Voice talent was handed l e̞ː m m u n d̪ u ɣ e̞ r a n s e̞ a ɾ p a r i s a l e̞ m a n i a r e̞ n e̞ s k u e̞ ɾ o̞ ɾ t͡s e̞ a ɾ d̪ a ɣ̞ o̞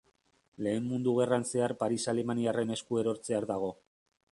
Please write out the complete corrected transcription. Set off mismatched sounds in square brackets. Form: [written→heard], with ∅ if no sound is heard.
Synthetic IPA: l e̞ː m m u n d̪ u ɣ e̞ r a n s e̞ a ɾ p a [r→ɾ] i s a l e̞ m a n i a r e̞ n e̞ s k u e̞ ɾ o̞ ɾ t͡s e̞ a ɾ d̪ a ɣ̞ o̞